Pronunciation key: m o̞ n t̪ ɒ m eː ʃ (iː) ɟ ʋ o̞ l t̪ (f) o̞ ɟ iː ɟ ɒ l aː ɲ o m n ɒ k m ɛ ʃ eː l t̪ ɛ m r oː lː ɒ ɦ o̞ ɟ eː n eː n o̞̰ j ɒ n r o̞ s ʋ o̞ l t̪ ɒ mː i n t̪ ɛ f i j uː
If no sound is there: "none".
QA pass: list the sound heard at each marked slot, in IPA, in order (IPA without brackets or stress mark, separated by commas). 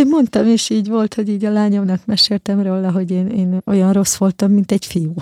iː, h